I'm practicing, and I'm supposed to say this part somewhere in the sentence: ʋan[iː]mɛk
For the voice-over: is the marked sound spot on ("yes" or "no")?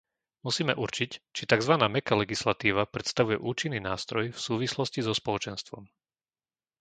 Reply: no